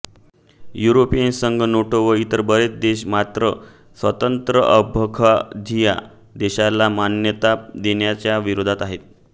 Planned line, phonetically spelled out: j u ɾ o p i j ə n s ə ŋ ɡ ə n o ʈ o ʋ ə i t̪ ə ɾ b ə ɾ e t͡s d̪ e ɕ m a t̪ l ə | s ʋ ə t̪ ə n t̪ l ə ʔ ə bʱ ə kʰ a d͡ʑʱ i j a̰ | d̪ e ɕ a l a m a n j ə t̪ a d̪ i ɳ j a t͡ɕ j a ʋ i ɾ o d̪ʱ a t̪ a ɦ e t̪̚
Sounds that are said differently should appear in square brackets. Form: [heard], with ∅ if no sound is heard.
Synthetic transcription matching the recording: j u ɾ o p i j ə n s ə ŋ ɡ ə n o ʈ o ʋ ə i t̪ ə ɾ b ə ɾ e t͡s d̪ e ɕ m a t̪ [ɾ] ə | s ʋ ə t̪ ə n t̪ [ɾ] ə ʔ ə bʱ ə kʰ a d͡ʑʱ i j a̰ | d̪ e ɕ a l a m a n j ə t̪ a d̪ [e] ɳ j a t͡ɕ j a ʋ i ɾ o d̪ʱ a t̪ a ɦ e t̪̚